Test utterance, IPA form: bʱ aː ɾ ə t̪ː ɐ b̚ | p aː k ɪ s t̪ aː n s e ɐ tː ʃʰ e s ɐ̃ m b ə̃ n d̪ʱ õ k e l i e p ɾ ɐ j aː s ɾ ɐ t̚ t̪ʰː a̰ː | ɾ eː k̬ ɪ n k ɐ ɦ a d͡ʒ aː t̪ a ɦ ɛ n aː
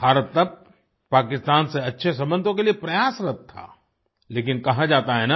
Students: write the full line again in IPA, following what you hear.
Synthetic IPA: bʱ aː ɾ ə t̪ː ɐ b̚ | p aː k ɪ s t̪ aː n s e ɐ tː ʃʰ e s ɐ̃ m b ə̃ n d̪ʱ õ k e l i e p ɾ ɐ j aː s ɾ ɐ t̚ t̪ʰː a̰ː | l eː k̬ ɪ n k ɐ ɦ a d͡ʒ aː t̪ a ɦ ɛ n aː

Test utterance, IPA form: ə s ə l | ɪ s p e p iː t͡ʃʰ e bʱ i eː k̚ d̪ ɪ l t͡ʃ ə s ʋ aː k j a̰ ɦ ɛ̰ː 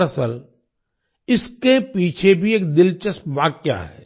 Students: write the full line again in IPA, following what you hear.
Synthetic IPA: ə s ə l | ɪ s k e p iː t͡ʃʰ e bʱ i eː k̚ d̪ ɪ l t͡ʃ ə s ʋ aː k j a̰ ɦ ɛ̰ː

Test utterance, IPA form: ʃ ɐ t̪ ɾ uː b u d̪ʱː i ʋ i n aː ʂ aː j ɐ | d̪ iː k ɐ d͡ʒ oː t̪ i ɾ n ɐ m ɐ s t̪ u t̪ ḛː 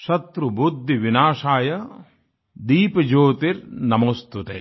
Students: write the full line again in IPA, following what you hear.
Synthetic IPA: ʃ ɐ t̪ ɾ u b u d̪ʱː i ʋ i n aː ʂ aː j ɐ | d̪ iː p ɐ d͡ʒ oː t̪ i ɾ n ɐ m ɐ s t̪ u t̪ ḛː

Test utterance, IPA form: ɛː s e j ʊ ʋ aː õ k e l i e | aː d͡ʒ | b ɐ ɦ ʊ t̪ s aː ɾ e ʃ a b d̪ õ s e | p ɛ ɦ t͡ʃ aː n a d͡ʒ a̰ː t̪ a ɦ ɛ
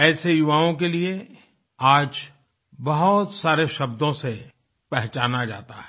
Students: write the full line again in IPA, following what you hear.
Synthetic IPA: ɛː s e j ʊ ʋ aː õ k e l i e | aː d͡ʒ | b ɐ ɦ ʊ t̪ s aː ɾ e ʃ ɐ b d̪ õ s e | p ɛ ɦ t͡ʃ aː n a d͡ʒ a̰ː t̪ a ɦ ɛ

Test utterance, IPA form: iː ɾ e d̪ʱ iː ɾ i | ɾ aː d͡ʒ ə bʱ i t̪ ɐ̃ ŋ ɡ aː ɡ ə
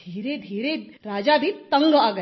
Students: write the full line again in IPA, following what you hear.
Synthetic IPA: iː ɾ e d̪ʱ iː ɾ e | ɾ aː d͡ʒ a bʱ i t̪ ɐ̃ ŋ ɡ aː ɡ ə

